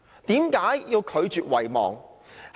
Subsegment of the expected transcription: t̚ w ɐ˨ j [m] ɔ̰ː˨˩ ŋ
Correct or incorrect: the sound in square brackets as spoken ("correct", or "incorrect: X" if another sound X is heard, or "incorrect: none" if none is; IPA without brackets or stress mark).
correct